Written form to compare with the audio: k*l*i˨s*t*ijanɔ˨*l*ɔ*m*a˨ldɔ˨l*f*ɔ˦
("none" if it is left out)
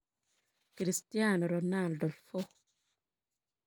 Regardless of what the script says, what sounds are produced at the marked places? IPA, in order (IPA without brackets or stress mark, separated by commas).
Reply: ɾ, t, ɾ, n, f